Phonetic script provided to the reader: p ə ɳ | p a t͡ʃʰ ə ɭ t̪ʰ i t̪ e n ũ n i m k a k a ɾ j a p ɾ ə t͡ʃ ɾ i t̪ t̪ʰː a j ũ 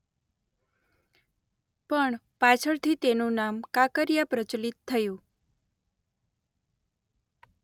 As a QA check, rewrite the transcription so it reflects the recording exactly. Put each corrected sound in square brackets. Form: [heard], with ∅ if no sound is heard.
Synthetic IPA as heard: p ə ɳ | p a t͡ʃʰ ə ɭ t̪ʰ i t̪ e n ũ n [a] m k a k [ə] ɾ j a p ɾ ə t͡ʃ [l] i t̪ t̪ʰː [ə] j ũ